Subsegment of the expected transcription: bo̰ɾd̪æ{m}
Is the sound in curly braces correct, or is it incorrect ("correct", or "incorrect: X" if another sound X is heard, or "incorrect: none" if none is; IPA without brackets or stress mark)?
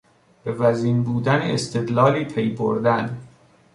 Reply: incorrect: n